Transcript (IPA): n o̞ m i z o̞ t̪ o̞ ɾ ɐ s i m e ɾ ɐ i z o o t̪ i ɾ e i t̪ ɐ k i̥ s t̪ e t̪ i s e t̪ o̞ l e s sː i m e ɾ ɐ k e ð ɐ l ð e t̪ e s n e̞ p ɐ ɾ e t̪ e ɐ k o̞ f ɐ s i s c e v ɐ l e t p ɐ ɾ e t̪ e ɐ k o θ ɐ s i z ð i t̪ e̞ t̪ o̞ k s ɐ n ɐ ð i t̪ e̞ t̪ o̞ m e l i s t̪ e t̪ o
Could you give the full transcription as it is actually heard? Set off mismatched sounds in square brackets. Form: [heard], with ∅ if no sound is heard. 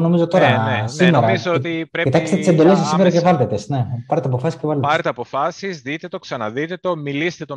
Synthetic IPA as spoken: n o̞ m i z o̞ t̪ o̞ ɾ ɐ s i m e ɾ ɐ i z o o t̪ i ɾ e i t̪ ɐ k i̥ s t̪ e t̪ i s e [d̪] o̞ l e s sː i m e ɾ ɐ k e [v] ɐ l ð e t̪ e s n e̞ p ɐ ɾ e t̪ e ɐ [p] o̞ f ɐ s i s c e v ɐ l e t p ɐ ɾ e t̪ e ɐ [p] o [f] ɐ s i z ð i t̪ e̞ t̪ o̞ k s ɐ n ɐ ð i t̪ e̞ t̪ o̞ m [i] l i s t̪ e t̪ o